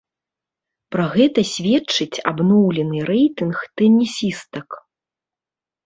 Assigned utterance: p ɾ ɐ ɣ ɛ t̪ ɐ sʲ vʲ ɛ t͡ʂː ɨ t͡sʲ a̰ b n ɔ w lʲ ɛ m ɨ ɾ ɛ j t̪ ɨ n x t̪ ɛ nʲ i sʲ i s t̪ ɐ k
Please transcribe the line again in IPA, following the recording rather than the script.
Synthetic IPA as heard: p ɾ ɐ ɣ ɛ t̪ ɐ sʲ vʲ ɛ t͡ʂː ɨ t͡sʲ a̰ b n ɔ w lʲ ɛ n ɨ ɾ ɛ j t̪ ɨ n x t̪ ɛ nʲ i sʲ i s t̪ ɐ k

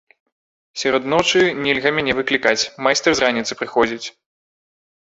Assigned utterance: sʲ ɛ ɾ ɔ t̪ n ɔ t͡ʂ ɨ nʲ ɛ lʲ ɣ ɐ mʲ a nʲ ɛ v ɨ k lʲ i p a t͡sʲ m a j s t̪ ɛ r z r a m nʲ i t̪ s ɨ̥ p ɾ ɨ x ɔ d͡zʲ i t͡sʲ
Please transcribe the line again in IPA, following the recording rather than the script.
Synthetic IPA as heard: sʲ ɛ ɾ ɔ d̪ n ɔ t͡ʂ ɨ nʲ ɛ lʲ ɣ ɐ mʲ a nʲ ɛ v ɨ k lʲ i k a t͡sʲ m a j s t̪ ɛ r z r a nʲ i t̪ s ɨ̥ p ɾ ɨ x ɔ d͡zʲ i t͡sʲ

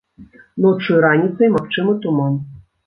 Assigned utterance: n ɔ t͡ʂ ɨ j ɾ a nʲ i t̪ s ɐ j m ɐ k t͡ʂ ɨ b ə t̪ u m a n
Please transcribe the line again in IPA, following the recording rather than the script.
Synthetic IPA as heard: n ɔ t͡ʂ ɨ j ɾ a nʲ i t̪ s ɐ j m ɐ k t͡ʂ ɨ m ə t̪ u m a n

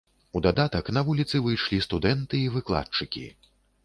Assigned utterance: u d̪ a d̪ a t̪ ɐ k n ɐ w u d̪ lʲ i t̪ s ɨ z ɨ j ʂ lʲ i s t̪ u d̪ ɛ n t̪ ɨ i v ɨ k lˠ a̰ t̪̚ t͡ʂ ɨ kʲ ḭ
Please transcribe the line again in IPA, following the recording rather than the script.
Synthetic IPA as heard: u d̪ a d̪ a t̪ ɐ k n ɐ v u lʲ i t̪ s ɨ v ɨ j ʂ lʲ i s t̪ u d̪ ɛ n t̪ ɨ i v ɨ k lˠ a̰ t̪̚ t͡ʂ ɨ kʲ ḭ

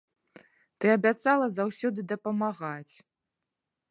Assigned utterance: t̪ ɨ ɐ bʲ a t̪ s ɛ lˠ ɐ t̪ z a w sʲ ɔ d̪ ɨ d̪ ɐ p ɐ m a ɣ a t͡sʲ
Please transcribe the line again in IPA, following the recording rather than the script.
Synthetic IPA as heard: t̪ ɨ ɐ bʲ a t̪ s a lˠ ɐ z a w sʲ ɔ d̪ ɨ d̪ ɐ p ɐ m a ɣ a t͡sʲ

